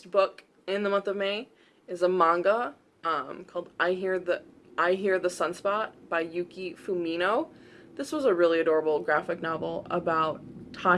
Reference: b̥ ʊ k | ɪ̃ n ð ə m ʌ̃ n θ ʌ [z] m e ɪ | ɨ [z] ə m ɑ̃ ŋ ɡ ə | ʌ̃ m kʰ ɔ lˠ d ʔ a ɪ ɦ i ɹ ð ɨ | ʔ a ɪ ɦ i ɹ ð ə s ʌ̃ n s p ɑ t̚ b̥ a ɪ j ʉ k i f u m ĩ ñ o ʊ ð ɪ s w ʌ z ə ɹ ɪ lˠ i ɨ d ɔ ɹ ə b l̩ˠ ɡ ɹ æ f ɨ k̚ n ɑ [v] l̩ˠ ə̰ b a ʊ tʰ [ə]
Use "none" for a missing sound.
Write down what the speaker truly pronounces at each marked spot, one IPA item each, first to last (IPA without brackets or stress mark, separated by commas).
v, z, v, ɑ